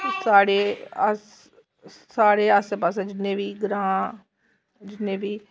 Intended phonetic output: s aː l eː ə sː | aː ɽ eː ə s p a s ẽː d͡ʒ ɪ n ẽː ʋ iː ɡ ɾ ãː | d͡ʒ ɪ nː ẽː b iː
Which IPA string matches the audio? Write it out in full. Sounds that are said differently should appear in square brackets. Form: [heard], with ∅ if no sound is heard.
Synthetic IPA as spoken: s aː [ɽ] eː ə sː | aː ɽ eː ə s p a s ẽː d͡ʒ ɪ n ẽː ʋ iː ɡ ɾ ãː | d͡ʒ ɪ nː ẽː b iː